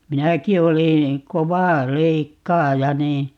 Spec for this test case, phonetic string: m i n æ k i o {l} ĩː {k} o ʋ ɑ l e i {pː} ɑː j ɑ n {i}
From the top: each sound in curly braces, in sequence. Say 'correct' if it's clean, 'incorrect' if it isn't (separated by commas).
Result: correct, correct, incorrect, incorrect